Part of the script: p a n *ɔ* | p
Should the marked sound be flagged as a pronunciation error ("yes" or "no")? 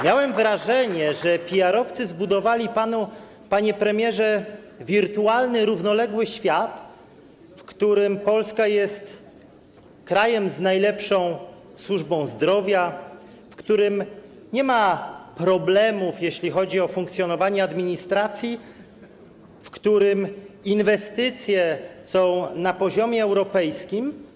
yes